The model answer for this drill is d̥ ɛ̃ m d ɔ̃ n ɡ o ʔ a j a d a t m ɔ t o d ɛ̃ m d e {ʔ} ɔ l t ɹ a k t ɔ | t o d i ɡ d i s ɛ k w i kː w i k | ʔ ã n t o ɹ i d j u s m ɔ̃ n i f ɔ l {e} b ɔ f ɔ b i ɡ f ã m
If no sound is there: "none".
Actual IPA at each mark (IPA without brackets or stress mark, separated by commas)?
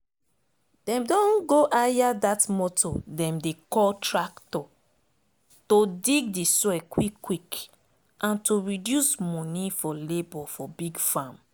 k, e